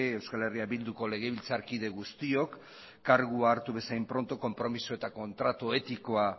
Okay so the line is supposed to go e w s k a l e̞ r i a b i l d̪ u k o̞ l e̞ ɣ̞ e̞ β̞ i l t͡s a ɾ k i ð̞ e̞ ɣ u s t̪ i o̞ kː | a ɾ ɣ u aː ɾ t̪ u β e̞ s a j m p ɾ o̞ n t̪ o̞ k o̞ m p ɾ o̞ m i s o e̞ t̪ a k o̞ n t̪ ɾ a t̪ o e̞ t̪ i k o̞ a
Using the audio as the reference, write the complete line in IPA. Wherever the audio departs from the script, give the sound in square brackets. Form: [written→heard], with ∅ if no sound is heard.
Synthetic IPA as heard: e w s k a l e̞ r i a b i l d̪ u k o̞ l e̞ ɣ̞ e̞ β̞ i l t͡s a ɾ k i ð̞ e̞ ɣ u s t̪ i o̞ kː | a ɾ ɣ u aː ɾ t̪ u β e̞ s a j m p ɾ o̞ n t̪ o̞ k o̞ m p ɾ o̞ m i s o e̞ t̪ a k o̞ n t̪ ɾ a t̪ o e̞ t̪ i k o̞ a